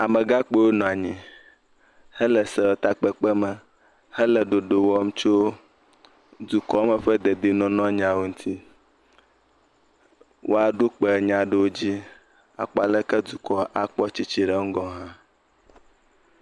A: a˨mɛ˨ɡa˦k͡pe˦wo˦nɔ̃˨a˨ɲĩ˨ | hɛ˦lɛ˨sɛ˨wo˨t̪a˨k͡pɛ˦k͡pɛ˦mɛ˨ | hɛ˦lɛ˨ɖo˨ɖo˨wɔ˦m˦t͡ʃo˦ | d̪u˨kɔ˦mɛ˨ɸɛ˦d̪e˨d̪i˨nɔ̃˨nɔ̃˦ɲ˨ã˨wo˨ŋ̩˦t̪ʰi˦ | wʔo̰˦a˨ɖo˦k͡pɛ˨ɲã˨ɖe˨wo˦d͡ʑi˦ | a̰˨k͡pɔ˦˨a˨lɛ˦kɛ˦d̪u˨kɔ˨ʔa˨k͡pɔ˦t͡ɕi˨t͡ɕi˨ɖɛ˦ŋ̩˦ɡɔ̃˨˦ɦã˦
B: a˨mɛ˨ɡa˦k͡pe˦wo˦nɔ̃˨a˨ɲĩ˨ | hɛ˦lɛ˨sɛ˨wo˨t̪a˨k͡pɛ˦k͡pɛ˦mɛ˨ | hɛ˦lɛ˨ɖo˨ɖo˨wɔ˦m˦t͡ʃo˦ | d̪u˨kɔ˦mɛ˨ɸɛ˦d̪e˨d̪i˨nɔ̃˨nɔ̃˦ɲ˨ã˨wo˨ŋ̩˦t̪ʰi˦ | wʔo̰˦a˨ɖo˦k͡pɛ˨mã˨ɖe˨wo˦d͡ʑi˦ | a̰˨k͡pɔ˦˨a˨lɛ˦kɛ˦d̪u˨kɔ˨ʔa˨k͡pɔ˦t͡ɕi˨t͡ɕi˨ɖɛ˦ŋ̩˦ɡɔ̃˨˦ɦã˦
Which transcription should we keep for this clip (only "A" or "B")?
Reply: A